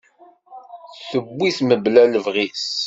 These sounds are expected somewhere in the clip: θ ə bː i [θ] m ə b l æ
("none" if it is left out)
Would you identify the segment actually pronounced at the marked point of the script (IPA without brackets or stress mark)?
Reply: θ